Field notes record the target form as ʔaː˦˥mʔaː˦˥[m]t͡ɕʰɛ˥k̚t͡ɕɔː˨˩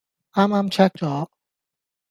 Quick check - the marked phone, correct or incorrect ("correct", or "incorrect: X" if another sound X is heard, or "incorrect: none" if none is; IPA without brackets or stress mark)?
correct